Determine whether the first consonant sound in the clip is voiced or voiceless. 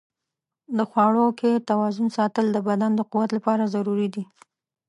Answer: voiced